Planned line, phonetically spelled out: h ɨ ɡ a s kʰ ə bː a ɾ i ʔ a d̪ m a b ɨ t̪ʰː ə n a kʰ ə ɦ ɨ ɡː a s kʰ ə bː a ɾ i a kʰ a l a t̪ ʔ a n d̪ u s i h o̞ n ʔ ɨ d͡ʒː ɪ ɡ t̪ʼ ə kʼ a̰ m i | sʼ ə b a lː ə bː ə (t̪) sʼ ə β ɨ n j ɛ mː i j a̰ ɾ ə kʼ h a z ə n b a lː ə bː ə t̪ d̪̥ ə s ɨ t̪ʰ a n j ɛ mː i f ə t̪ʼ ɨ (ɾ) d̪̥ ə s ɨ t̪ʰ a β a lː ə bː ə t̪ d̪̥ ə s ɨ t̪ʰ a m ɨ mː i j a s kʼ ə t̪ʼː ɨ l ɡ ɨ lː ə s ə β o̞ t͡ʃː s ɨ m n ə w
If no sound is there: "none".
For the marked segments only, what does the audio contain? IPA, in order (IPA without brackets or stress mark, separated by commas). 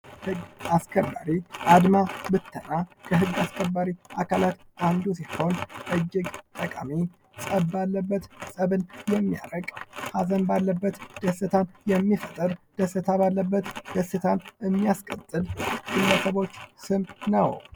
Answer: t̪, ɾ